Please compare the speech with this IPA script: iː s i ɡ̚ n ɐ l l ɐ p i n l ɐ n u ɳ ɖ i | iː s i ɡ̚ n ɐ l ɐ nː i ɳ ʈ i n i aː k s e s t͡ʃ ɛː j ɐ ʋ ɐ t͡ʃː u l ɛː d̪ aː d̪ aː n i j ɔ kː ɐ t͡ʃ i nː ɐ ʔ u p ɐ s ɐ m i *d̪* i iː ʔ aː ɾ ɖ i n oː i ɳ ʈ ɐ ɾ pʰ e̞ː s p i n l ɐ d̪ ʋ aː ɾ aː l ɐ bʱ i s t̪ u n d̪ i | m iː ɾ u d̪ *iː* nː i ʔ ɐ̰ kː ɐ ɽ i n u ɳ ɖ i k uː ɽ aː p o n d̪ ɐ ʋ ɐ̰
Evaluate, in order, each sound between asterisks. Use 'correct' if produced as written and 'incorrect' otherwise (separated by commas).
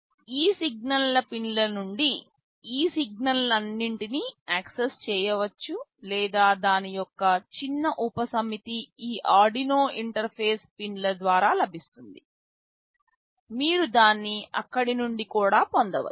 incorrect, incorrect